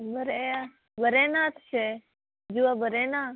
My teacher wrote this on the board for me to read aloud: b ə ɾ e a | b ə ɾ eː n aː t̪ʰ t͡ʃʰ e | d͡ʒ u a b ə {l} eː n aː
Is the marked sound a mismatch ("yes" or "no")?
yes